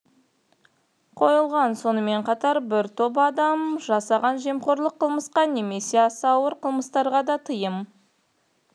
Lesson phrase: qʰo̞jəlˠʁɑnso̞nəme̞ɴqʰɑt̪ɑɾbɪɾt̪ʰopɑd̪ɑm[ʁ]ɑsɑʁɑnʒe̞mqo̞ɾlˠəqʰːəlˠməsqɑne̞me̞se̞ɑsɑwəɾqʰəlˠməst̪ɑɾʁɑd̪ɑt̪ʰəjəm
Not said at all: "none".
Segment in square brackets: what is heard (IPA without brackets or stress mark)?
ʒ